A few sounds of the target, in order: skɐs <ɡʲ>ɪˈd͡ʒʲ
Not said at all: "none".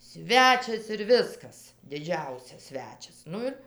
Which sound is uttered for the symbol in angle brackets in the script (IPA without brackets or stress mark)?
dʲ